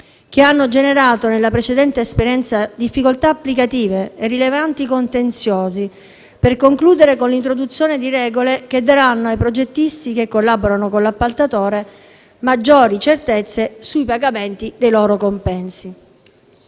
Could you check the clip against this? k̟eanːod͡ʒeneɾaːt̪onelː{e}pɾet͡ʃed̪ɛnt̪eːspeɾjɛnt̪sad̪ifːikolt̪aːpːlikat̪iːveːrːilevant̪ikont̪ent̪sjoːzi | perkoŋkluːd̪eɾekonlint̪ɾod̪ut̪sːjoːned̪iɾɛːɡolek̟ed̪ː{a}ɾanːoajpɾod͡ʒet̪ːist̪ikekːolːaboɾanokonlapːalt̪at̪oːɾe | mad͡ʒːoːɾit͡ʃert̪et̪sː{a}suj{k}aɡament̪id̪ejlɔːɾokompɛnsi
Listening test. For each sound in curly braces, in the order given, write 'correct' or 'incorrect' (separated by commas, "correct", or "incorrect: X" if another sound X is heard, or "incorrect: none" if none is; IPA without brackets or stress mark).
incorrect: a, correct, incorrect: e, incorrect: p